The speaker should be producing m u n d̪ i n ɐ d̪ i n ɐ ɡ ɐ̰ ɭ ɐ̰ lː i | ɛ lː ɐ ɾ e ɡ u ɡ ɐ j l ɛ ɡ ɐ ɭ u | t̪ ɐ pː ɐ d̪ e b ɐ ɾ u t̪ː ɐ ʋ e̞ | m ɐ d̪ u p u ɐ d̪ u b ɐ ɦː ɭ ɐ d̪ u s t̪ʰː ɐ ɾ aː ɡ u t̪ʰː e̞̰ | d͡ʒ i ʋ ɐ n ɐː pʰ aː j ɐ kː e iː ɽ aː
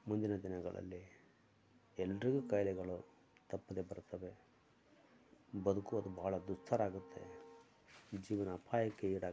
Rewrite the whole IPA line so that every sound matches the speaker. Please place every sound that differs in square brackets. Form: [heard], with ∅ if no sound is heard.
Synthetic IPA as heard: m u n d̪ i n ɐ d̪ i n ɐ ɡ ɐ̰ ɭ ɐ̰ lː i | ɛ lː ɐ ɾ [i] ɡ u [k] ɐ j l ɛ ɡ ɐ ɭ u | t̪ ɐ pː ɐ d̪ e b ɐ ɾ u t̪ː ɐ ʋ e̞ | [b] ɐ d̪ u [k] u ɐ d̪ u b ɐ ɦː ɭ ɐ d̪ u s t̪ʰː ɐ ɾ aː ɡ u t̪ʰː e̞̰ | d͡ʒ [iː] ʋ ɐ n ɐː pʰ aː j ɐ kː e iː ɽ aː